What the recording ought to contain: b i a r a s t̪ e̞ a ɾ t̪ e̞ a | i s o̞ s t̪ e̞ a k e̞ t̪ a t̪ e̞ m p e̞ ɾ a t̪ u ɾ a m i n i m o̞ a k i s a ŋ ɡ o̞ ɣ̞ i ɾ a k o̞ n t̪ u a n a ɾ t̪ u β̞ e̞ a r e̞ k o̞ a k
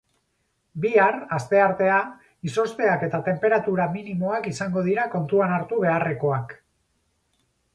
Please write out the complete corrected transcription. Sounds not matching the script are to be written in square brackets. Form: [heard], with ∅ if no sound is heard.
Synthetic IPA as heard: b i a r a s t̪ e̞ a ɾ t̪ e̞ a | i s o̞ s t̪ e̞ a k e̞ t̪ a t̪ e̞ m p e̞ ɾ a t̪ u ɾ a m i n i m o̞ a k i s a ŋ ɡ o̞ [ð̞] i ɾ a k o̞ n t̪ u a n a ɾ t̪ u β̞ e̞ a r e̞ k o̞ a k

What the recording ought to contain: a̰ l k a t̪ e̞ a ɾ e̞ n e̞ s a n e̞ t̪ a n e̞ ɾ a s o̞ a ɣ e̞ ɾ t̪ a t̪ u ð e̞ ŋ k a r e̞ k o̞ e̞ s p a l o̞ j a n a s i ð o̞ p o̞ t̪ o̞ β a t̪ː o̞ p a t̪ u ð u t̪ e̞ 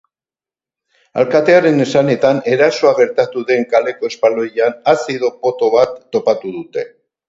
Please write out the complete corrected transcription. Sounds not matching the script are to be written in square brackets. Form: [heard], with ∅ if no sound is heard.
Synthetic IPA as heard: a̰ l k a t̪ e̞ a ɾ e̞ n e̞ s a n e̞ t̪ a n e̞ ɾ a s o̞ a ɣ e̞ ɾ t̪ a t̪ u ð e̞ ŋ k a [l] e̞ k o̞ e̞ s p a l o̞ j a n a s i ð o̞ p o̞ t̪ o̞ β a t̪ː o̞ p a t̪ u ð u t̪ e̞

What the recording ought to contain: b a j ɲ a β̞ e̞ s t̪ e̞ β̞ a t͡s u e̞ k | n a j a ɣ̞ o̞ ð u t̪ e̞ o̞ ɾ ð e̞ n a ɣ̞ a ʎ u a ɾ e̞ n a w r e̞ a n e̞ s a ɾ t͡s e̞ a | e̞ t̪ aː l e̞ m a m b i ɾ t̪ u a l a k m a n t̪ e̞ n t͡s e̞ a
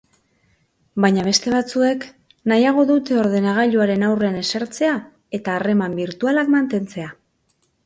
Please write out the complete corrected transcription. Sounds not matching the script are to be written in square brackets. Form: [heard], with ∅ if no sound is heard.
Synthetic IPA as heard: b a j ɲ a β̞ e̞ s t̪ e̞ β̞ a t͡s u e̞ k | n a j a ɣ̞ o̞ ð u t̪ e̞ o̞ ɾ ð e̞ n a ɣ̞ a ʎ u a ɾ e̞ n a w r e̞ a n e̞ s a ɾ t͡s e̞ a | e̞ t̪ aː [r] e̞ m a m b i ɾ t̪ u a l a k m a n t̪ e̞ n t͡s e̞ a

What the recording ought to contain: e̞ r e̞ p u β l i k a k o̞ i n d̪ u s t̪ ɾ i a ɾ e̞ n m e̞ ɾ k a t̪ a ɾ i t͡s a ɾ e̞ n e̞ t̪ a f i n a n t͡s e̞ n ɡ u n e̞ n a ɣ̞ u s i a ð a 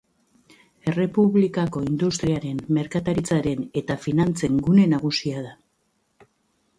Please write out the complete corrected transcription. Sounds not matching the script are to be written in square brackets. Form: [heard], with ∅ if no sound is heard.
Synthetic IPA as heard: e̞ r e̞ p u β l i k a k o̞ i n d̪ u s t̪ ɾ i a ɾ e̞ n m e̞ ɾ k a t̪ a ɾ i t͡s a ɾ e̞ n e̞ t̪ a f i n a n t͡s e̞ [ŋ] ɡ u n e̞ n a ɣ̞ u s i a ð a

